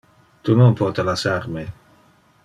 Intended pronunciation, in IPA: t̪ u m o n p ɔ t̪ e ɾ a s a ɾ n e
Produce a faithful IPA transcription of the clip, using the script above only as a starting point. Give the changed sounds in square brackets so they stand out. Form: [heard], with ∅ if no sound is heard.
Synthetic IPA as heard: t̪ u [n] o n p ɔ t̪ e [l] a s a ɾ [m] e

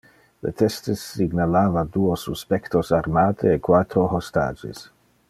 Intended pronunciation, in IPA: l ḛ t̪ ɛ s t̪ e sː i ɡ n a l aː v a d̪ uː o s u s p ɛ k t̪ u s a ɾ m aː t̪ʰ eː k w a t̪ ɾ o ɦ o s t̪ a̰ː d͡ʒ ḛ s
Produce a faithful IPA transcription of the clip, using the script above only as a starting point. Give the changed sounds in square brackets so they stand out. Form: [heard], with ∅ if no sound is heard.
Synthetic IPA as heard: l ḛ t̪ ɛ s t̪ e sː i ɡ n a l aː v a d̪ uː o s u s p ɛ k t̪ [o] s a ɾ m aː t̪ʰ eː k w a t̪ ɾ o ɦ o s t̪ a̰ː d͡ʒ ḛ s

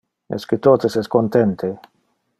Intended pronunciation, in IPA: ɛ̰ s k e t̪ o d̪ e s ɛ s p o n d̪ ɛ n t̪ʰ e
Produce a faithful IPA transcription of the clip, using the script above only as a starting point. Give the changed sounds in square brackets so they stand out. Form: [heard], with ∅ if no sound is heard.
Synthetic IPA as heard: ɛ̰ s k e t̪ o [t̪] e s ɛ s [k] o n [t̪] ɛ n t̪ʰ e

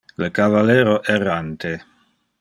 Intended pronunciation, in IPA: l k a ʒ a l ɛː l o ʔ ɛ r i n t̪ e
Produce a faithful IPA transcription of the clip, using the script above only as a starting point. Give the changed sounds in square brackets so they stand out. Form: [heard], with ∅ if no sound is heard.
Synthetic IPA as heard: l k a [v] a l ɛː [ɾ] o ʔ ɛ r [a] n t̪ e

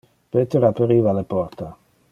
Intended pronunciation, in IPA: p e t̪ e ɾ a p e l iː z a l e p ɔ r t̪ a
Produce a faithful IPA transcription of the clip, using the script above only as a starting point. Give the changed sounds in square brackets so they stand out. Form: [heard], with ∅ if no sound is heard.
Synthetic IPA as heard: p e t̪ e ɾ a p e [ɾ] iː [v] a l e p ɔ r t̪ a

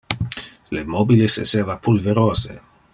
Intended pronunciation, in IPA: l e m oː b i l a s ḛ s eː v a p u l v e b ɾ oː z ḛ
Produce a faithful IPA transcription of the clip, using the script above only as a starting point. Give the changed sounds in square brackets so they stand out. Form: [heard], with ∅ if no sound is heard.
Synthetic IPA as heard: l e m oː b i l [e] s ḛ s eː v a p u l v e [∅] ɾ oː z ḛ

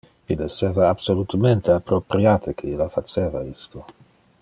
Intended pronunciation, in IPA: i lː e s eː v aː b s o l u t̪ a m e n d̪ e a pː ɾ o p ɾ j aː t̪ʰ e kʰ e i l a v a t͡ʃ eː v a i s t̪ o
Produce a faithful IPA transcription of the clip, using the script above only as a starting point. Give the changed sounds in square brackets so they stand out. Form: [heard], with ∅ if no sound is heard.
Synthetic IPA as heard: i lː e s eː v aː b s o l u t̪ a m e n [t̪] e a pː ɾ o p ɾ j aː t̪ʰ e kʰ e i l a [f] a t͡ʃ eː v a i s t̪ o

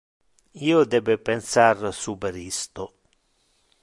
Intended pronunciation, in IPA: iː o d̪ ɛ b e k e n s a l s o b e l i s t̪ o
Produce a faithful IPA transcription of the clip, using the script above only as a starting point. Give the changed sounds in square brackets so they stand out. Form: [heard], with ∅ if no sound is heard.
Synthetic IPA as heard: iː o d̪ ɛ b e [p] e n s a [r] s [u] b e [ɾ] i s t̪ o

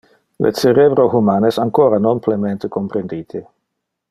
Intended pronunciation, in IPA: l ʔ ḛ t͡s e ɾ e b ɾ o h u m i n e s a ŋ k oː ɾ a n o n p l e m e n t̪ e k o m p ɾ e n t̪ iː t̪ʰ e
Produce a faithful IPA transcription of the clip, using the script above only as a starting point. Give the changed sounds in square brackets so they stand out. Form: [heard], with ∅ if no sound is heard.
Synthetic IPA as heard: l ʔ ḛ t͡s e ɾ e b ɾ o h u m [a] n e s a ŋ k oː ɾ a n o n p l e m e n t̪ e k o m p ɾ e n [d̪] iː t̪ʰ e

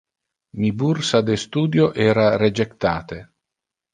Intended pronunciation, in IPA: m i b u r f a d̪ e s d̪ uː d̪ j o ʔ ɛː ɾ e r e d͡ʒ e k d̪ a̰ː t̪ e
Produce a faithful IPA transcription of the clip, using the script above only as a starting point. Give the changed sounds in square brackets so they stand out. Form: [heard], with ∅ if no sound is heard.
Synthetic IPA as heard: m i b u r [s] a d̪ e s [t̪] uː d̪ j o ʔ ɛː ɾ [a] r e d͡ʒ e k [t̪] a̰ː t̪ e

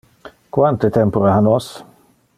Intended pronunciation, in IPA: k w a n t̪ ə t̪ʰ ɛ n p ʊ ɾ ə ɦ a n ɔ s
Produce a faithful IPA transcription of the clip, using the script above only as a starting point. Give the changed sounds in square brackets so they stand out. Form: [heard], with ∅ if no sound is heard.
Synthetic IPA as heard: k w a n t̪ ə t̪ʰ ɛ [m] p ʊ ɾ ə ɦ a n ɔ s

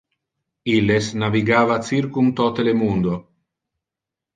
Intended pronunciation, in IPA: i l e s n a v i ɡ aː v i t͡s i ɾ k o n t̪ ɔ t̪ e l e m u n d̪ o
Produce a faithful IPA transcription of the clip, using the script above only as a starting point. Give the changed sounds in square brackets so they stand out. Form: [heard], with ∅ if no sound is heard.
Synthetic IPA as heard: i l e s n a v i ɡ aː v [a] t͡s i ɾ k [u] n t̪ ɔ t̪ e l e m u n d̪ o

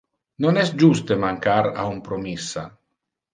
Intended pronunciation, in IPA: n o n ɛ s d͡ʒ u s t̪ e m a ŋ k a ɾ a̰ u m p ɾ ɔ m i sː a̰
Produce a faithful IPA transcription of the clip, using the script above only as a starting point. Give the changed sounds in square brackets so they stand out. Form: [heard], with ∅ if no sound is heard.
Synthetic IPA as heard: n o n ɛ s d͡ʒ u s t̪ e m a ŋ k a ɾ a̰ u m p ɾ [o] m i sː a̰

